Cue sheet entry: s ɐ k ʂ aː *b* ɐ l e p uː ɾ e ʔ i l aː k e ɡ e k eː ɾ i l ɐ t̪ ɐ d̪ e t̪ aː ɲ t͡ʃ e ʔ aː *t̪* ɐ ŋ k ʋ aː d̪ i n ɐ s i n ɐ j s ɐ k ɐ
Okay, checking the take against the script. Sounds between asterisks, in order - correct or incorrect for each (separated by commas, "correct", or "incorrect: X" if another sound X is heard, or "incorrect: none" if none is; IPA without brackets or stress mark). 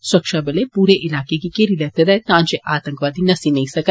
correct, correct